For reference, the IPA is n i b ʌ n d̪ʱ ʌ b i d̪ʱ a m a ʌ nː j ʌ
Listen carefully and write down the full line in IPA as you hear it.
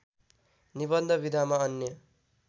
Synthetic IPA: n i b ʌ n d̪ʱ ʌ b i d̪ʱ a m a ʌ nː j ʌ